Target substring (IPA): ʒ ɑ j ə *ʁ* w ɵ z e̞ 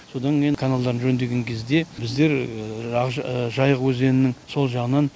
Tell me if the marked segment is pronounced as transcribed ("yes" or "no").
yes